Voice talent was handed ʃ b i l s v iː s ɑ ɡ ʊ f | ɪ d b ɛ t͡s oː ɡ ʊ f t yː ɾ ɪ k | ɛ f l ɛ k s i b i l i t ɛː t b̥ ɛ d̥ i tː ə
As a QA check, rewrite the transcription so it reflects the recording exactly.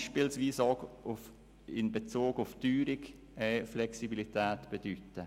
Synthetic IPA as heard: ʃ p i l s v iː s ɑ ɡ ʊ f | ɪ n b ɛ t͡s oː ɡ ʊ f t yː ɾ ɪ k | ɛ f l ɛ k s i b i l i t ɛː t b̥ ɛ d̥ y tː ə